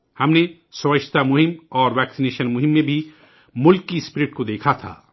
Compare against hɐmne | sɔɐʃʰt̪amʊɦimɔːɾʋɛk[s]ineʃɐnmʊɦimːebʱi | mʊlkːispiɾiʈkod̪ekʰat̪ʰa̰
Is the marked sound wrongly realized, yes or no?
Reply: no